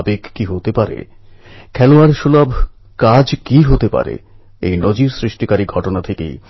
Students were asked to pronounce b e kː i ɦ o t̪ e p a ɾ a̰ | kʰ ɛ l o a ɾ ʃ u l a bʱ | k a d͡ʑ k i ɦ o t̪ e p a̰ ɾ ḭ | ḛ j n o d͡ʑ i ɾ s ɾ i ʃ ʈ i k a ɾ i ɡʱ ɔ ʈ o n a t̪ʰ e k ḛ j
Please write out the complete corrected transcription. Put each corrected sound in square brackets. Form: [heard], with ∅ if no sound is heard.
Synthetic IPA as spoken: b e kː i ɦ o t̪ e p a ɾ [ḛ] | kʰ ɛ l o a ɾ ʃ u l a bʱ | k a d͡ʑ k i ɦ o t̪ e p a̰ ɾ [ḛ] | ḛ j n o d͡ʑ i ɾ s ɾ i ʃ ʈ i k a ɾ i ɡʱ ɔ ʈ o n a t̪ʰ e k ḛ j